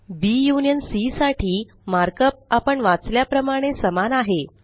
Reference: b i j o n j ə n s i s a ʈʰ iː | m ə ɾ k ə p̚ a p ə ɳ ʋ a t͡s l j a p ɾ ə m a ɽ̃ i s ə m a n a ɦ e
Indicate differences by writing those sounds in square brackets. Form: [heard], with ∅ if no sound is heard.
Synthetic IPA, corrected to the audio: b i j [u] n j ə n s i s a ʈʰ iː | m [a] ɾ k ə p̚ a p ə ɳ ʋ a t͡s l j a p ɾ ə m a ɽ̃ [e] s ə m a n a ɦ e